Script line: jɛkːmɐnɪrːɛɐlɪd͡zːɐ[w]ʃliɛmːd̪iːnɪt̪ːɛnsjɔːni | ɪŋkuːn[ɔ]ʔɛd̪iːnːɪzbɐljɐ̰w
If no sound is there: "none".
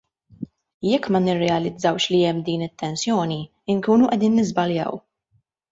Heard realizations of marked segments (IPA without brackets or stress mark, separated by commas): w, u